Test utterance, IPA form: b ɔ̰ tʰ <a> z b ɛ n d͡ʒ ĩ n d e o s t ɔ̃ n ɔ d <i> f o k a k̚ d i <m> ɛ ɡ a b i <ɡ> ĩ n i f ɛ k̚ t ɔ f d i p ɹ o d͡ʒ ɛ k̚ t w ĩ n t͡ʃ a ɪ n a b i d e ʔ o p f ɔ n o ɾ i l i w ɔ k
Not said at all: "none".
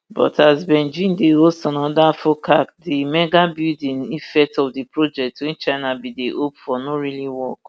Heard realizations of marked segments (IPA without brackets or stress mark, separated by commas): a, a, m, d